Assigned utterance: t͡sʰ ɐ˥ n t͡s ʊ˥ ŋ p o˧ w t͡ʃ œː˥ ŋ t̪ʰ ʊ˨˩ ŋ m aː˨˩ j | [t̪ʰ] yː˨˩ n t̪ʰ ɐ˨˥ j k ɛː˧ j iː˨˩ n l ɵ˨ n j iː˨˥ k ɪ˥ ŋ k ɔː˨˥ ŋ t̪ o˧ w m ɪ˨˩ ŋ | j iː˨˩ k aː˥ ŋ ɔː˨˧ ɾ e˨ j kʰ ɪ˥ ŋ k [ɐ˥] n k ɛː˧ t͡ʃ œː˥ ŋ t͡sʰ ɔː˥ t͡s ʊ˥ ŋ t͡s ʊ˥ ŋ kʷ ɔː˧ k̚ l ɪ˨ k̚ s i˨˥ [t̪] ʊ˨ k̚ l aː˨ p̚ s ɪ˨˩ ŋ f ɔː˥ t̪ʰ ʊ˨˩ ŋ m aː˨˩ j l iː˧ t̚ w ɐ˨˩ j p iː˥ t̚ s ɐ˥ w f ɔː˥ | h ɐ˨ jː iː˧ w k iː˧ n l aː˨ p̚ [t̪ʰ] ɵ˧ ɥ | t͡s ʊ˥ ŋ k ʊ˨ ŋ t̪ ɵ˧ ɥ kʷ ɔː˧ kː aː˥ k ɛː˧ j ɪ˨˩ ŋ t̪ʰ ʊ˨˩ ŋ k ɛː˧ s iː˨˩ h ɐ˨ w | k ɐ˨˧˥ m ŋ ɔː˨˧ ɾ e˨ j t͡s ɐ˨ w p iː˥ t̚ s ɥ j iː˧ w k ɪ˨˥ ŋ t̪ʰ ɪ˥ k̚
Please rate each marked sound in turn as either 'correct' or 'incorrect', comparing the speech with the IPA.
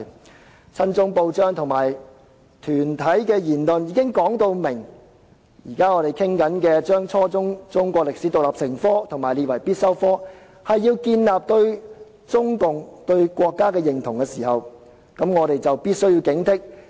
correct, incorrect: ɐ˨˥, correct, incorrect: t̪

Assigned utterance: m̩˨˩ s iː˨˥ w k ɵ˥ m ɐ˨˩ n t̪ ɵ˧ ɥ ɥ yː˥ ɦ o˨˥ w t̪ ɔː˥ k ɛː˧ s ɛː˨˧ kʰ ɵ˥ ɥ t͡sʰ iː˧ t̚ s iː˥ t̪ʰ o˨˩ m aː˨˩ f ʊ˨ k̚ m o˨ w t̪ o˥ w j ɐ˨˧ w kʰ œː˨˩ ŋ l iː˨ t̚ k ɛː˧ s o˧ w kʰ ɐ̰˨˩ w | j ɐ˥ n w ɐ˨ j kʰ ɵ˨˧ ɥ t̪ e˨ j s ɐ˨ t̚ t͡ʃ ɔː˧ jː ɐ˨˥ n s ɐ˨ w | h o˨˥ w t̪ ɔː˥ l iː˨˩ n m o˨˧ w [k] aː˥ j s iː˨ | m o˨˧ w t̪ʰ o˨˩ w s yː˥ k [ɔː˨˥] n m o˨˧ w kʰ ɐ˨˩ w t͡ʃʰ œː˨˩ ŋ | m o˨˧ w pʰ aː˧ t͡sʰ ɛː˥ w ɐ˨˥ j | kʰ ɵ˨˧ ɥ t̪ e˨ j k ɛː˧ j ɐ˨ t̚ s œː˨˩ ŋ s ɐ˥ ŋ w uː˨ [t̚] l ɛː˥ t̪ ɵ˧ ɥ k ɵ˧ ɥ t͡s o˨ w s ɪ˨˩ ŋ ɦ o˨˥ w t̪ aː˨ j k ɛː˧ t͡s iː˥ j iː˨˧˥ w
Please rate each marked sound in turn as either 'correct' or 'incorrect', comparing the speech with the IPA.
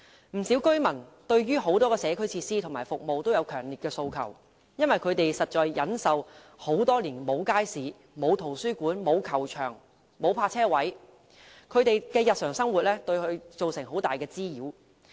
correct, incorrect: uː˨˥, correct

